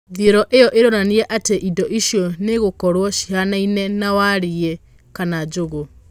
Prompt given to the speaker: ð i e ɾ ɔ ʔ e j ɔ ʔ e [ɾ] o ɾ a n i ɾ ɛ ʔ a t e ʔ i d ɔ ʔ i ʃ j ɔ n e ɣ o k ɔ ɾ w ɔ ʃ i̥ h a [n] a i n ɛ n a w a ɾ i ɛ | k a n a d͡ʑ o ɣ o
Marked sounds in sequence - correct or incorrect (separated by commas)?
correct, correct